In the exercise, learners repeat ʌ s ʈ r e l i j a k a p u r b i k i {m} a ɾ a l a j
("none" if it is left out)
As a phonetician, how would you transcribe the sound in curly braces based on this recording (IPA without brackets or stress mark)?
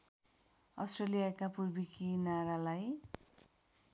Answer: n